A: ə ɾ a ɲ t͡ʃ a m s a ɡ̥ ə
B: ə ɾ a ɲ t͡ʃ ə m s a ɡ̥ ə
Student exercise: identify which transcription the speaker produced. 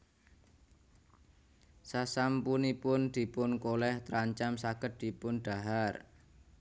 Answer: A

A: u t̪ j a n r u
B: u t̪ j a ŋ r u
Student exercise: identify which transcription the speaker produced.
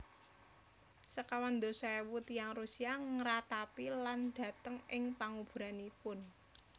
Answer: B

